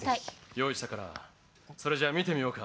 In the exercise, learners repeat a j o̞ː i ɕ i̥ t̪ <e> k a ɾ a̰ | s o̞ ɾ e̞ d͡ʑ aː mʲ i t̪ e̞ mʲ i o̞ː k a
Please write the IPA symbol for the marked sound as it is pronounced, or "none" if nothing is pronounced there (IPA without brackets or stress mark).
a